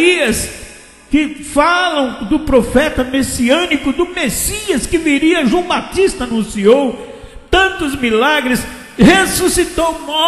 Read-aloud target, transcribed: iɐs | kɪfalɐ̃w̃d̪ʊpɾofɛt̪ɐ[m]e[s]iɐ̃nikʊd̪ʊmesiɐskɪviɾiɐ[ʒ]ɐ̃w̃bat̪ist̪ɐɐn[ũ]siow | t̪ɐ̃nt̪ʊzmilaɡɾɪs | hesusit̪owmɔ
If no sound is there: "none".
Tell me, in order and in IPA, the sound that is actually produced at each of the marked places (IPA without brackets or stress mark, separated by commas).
m, s, ʒ, ũ